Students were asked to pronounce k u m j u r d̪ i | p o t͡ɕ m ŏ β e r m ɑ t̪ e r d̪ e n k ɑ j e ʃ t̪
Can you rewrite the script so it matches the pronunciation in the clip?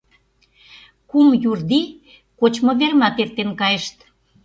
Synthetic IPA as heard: k u m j u r d̪ i | k o t͡ɕ m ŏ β e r m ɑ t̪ e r t̪ e n k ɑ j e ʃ t̪